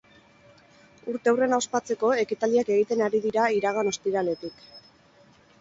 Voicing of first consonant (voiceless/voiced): voiced